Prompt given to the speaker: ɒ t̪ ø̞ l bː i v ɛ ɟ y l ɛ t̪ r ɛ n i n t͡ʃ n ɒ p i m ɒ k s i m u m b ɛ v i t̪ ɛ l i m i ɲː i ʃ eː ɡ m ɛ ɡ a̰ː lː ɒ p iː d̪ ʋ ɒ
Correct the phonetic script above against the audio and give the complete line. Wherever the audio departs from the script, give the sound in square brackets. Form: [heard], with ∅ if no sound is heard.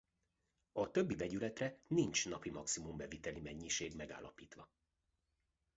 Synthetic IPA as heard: ɒ t̪ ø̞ [∅] bː i v ɛ ɟ y l ɛ t̪ r ɛ n i n t͡ʃ n ɒ p i m ɒ k s i m u m b ɛ v i t̪ ɛ l i m [ɛ] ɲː i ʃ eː ɡ m ɛ ɡ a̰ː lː ɒ p iː [t̪] ʋ ɒ